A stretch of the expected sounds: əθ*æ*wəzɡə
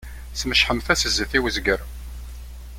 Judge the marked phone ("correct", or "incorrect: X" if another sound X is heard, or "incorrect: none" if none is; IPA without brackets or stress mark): incorrect: i